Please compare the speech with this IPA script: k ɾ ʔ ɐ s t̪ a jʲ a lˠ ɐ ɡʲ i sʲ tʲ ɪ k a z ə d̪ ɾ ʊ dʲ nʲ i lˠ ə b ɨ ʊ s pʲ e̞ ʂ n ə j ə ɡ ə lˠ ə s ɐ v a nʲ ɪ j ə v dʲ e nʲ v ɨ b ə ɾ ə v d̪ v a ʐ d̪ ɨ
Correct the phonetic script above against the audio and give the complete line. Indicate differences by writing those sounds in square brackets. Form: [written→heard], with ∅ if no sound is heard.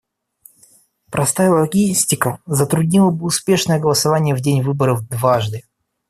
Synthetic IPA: [k→p] ɾ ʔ ɐ s t̪ a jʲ [a→ə] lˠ ɐ ɡʲ i sʲ tʲ ɪ k [a→ə] z ə [d̪→t̪] ɾ ʊ dʲ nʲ i lˠ ə b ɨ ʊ s pʲ e̞ ʂ n ə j ə ɡ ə lˠ ə s ɐ v a nʲ ɪ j ə v dʲ e nʲ v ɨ b ə ɾ ə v d̪ v a ʐ d̪ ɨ